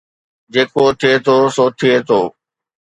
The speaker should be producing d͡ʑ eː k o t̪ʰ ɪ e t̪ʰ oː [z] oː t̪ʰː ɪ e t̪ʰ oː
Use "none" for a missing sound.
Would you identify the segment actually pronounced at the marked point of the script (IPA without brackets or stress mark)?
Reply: s